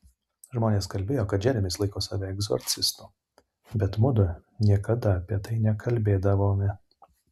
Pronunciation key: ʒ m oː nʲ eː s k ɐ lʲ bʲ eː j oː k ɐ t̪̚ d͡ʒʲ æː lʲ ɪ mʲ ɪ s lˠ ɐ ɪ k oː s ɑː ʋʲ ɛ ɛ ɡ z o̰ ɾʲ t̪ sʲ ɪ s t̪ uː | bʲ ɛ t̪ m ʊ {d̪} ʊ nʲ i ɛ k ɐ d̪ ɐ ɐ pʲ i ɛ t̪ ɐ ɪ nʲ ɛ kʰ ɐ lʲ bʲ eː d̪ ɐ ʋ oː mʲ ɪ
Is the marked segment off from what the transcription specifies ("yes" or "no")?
no